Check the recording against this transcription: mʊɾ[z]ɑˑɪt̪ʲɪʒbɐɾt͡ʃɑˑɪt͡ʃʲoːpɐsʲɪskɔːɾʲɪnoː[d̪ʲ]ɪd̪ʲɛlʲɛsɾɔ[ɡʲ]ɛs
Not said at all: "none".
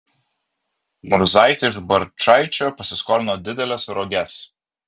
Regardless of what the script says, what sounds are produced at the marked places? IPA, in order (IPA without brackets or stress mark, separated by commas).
z, d̪ʲ, ɡʲ